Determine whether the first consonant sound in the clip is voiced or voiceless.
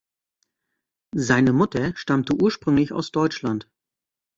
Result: voiced